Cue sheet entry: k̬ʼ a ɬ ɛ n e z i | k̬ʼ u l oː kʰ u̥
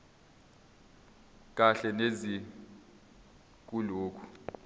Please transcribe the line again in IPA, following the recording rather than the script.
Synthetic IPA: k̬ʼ a ɬ ɛ n e z i | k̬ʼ u l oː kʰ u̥